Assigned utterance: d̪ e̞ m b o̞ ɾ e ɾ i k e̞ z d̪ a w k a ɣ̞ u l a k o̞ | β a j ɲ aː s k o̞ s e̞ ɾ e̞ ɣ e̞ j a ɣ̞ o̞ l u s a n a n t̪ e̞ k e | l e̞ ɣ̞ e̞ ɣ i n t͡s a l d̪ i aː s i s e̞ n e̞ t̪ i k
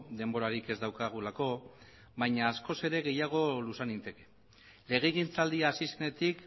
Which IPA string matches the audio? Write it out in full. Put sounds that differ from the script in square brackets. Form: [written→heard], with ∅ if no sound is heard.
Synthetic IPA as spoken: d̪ e̞ m b o̞ ɾ [e→a] ɾ i k e̞ z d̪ a w k a ɣ̞ u l a k o̞ | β a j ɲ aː s k o̞ s e̞ ɾ e̞ ɣ e̞ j a ɣ̞ o̞ l u s a n [a→i] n t̪ e̞ k e | l e̞ ɣ̞ e̞ ɣ i n t͡s a l d̪ i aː s i s e̞ n e̞ t̪ i k